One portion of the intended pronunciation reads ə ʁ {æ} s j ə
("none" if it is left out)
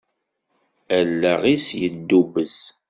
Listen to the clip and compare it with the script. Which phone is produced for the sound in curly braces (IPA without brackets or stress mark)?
i